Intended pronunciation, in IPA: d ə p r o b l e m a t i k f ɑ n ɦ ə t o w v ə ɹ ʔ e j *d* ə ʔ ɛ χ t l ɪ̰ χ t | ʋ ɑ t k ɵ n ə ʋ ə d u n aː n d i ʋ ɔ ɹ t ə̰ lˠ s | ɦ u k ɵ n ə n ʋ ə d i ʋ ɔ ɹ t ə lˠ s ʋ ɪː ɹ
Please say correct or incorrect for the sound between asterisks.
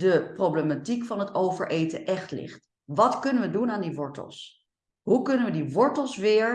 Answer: incorrect